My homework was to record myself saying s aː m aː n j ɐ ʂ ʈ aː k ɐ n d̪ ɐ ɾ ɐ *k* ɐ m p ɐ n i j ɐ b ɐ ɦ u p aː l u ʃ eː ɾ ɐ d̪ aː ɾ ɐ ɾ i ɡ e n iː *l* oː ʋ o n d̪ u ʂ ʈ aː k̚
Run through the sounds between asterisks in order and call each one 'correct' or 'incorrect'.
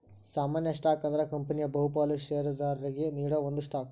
correct, incorrect

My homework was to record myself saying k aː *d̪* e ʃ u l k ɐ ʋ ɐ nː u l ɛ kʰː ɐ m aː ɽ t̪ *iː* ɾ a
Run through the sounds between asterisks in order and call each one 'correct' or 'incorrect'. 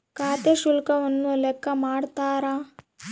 incorrect, incorrect

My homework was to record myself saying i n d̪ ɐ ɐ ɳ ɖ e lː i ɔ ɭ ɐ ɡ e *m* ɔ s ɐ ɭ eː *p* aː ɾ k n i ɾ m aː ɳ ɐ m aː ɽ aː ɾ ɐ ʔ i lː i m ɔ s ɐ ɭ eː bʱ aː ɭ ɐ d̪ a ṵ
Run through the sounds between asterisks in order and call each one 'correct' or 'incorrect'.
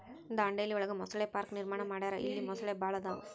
correct, correct

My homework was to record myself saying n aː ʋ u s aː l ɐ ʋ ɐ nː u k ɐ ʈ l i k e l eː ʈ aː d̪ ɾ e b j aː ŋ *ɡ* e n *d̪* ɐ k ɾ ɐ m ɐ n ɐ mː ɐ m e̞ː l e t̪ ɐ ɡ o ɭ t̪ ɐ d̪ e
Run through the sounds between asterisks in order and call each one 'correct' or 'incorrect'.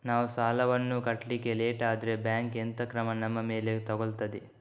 incorrect, incorrect

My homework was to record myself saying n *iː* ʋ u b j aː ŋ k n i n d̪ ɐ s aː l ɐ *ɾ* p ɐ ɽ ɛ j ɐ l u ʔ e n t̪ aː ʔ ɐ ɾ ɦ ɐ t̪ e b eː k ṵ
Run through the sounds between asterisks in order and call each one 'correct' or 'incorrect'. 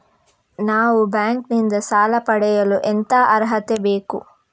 incorrect, incorrect

